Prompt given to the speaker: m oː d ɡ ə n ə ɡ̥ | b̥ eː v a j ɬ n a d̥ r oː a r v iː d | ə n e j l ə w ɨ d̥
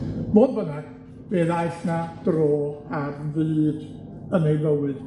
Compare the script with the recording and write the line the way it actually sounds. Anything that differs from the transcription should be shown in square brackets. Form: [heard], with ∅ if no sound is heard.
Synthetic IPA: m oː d [b] ə n [a] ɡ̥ | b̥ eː [ð] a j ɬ n a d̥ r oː a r v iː d | ə n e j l ə w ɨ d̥